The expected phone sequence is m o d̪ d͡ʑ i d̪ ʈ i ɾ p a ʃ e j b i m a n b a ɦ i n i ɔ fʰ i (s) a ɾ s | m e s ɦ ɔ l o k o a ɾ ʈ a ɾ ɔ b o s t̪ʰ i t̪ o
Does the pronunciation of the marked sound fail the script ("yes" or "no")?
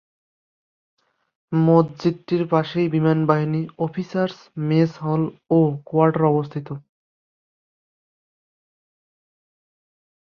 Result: no